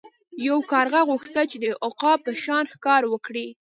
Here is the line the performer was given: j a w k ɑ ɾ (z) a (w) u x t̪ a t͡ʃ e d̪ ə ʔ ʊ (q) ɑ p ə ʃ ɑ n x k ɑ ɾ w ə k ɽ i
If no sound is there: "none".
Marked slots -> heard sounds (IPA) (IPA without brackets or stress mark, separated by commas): ɣ, ɣ, q